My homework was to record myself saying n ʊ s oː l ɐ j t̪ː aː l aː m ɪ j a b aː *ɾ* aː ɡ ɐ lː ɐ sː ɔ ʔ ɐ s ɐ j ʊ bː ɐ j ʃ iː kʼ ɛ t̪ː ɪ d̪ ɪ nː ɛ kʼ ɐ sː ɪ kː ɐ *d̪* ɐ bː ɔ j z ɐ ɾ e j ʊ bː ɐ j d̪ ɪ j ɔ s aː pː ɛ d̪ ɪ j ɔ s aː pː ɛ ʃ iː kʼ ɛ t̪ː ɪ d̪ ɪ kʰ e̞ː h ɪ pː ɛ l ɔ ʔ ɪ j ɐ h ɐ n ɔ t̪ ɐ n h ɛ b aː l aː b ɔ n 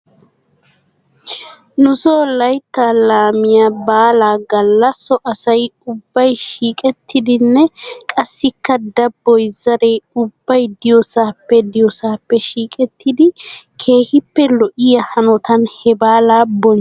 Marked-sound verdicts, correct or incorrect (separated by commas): incorrect, correct